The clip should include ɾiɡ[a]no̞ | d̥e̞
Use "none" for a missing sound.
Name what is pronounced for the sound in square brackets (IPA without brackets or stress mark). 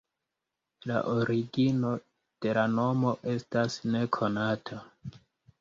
i